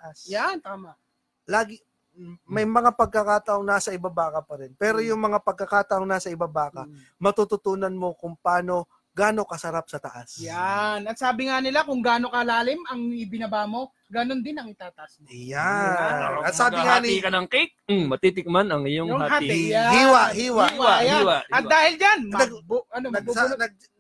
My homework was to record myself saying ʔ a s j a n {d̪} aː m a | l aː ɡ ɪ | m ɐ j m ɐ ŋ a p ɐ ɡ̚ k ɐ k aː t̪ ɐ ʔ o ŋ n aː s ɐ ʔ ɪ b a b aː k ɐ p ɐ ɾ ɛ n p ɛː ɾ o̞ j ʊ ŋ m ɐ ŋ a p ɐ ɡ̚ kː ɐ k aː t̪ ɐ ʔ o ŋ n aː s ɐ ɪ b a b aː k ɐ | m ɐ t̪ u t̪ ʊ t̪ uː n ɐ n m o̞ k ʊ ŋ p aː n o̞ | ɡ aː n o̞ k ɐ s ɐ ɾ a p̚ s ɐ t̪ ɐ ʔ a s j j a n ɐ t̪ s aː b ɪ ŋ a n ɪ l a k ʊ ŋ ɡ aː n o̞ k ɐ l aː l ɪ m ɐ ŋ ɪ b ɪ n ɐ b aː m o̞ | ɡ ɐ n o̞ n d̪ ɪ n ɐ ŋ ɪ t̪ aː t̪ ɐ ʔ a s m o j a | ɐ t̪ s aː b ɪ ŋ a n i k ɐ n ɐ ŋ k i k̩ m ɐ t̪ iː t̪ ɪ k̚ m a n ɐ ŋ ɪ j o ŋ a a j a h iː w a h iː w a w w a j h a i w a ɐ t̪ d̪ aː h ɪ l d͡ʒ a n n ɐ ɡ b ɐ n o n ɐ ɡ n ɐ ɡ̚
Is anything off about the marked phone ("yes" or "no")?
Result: yes